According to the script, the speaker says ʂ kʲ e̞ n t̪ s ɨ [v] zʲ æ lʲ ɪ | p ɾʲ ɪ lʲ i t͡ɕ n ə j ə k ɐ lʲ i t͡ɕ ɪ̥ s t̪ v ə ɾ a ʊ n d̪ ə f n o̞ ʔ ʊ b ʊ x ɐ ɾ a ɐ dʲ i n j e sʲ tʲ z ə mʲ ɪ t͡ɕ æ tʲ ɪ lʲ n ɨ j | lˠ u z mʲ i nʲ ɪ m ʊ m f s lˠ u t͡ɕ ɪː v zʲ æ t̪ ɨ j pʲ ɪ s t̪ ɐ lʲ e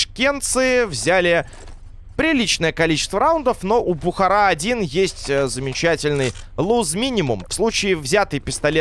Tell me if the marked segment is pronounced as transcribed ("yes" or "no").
yes